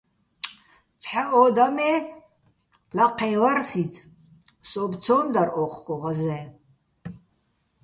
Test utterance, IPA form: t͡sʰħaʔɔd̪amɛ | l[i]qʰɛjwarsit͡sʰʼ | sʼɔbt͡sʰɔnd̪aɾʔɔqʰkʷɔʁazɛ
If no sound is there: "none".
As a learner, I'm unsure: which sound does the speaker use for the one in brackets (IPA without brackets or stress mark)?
a